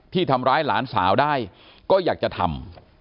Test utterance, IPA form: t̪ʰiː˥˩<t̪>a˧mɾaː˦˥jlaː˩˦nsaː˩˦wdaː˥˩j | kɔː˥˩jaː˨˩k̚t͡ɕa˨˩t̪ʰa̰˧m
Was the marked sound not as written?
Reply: yes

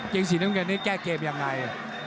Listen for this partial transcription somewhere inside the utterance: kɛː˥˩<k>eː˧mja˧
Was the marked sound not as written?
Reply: no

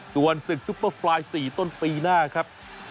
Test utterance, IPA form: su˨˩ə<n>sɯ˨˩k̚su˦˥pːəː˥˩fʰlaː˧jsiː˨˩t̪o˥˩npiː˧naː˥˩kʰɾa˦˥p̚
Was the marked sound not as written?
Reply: no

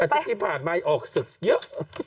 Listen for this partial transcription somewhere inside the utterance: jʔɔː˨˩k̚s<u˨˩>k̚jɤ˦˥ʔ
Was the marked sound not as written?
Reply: yes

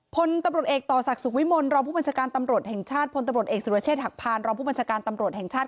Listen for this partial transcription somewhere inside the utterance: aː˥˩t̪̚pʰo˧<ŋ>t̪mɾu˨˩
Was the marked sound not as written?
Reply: yes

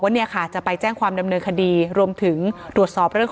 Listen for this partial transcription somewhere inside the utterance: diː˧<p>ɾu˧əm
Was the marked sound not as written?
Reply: yes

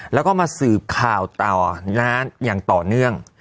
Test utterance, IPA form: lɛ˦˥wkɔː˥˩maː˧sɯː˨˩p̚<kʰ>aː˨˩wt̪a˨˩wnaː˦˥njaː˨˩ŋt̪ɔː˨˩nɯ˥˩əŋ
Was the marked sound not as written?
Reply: no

